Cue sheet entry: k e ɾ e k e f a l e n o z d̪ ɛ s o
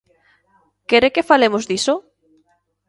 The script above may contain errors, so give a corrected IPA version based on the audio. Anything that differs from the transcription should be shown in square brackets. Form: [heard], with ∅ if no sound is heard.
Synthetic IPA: k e ɾ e k e f a l e [m] o z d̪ [i] s o